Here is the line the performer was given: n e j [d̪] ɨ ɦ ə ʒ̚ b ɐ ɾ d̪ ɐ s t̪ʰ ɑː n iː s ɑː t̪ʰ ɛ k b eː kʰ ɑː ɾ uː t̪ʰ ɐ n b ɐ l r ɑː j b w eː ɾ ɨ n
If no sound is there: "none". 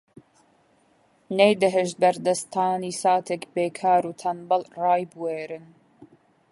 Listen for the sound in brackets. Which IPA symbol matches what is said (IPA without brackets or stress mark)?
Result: d̪